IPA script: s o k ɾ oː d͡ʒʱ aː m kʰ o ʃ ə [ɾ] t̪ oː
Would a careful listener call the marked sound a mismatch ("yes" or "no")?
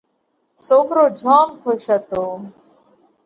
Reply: yes